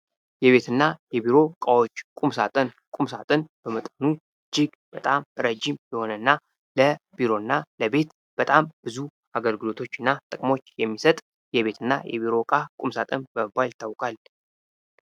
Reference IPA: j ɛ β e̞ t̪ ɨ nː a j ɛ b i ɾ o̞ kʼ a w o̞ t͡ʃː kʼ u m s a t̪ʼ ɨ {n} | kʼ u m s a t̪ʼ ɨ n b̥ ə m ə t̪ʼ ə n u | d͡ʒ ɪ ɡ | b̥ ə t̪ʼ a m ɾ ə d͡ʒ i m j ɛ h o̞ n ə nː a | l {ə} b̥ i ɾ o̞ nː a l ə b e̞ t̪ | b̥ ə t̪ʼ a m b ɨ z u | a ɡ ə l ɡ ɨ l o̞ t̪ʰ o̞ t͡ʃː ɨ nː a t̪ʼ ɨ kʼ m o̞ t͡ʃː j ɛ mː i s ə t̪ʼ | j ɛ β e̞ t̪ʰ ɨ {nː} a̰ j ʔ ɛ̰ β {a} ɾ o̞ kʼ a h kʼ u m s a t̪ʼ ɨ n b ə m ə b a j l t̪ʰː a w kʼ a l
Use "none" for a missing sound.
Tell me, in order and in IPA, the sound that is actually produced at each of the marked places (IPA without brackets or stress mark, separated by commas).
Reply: n, ə, nː, i